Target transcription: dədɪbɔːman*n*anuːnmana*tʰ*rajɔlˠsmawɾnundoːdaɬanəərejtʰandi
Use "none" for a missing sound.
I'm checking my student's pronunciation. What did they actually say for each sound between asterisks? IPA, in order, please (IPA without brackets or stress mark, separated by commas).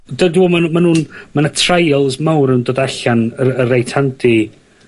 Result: m, tʰ